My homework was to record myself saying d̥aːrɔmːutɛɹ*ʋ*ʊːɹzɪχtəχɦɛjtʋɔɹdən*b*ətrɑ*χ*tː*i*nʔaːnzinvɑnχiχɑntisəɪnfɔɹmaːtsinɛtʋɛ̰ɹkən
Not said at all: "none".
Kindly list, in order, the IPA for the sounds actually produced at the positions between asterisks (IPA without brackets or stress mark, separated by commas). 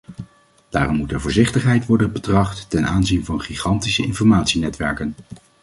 v, b, χ, ɛ